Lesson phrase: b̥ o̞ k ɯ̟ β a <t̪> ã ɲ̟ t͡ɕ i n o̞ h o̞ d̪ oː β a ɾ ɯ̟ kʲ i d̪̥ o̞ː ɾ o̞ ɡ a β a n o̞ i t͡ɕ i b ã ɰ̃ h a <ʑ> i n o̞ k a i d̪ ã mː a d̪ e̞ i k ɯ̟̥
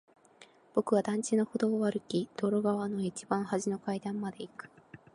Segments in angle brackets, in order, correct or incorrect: incorrect: d̪, correct

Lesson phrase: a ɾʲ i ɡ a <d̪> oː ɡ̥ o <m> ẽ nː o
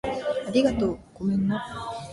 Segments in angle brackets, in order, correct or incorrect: incorrect: t̪, correct

